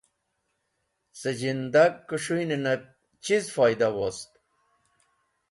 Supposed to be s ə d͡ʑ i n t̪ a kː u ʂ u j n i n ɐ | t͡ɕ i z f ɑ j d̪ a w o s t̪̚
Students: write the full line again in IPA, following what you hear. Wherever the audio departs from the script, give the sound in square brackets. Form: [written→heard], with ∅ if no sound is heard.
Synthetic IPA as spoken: s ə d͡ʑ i n [t̪→d̪] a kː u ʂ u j n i n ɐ | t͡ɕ i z f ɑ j d̪ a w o s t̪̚